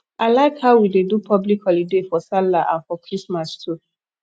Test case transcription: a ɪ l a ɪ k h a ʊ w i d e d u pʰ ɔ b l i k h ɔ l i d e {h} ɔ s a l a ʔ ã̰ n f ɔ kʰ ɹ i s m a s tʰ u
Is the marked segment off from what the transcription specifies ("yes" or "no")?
yes